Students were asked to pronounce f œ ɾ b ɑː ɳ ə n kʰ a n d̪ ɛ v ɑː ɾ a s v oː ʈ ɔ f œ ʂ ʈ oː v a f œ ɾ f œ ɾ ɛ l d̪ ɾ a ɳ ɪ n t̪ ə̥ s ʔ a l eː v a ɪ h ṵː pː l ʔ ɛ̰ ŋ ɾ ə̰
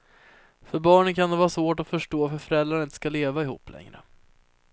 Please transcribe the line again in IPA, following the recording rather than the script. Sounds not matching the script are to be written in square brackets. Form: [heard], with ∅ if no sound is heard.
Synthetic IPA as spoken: f œ ɾ b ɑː ɳ ə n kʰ a n d̪ ɛ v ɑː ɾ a s v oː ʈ ɔ f œ ʂ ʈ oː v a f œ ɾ f œ ɾ ɛ l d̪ ɾ a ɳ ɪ n t̪ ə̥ s [k] a l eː v a ɪ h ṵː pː l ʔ ɛ̰ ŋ ɾ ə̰